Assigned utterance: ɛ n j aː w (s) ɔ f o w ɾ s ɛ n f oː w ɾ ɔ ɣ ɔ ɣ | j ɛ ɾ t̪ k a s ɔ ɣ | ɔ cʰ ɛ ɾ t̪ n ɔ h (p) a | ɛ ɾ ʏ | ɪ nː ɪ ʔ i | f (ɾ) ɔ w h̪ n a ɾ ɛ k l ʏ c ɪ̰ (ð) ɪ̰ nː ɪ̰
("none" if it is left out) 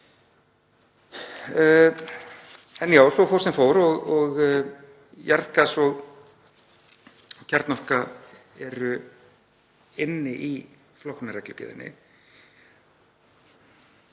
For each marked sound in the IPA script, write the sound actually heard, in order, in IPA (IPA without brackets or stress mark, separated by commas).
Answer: s, k, l, ð